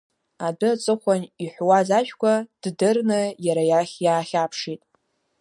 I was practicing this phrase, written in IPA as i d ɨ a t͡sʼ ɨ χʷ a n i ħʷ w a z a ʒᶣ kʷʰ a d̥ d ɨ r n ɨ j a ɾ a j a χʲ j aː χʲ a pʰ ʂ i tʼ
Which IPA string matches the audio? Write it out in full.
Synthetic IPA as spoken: a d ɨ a t͡sʼ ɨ χʷ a n i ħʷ w a z a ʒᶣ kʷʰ a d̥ d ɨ r n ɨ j a ɾ a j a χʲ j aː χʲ a pʰ ʂ i tʼ